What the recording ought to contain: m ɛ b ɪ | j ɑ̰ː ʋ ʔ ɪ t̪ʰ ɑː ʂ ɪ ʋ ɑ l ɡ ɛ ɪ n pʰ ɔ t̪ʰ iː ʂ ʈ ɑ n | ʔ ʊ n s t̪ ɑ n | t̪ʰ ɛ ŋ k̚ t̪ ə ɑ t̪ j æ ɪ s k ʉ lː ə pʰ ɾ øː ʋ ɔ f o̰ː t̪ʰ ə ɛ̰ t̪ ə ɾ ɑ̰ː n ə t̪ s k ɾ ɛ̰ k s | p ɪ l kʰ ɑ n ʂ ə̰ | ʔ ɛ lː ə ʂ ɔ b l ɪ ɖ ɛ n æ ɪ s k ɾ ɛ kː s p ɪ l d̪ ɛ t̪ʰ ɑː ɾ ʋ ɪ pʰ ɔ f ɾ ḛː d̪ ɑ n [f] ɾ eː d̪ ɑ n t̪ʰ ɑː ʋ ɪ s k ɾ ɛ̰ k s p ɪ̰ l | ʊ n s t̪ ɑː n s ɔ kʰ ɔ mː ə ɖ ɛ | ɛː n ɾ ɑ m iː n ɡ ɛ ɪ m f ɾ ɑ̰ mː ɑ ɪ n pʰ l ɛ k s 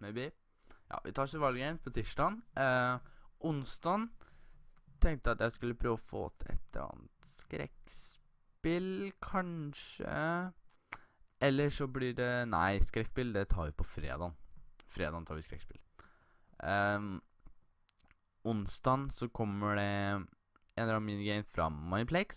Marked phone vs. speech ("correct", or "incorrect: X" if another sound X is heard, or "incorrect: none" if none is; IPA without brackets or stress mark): correct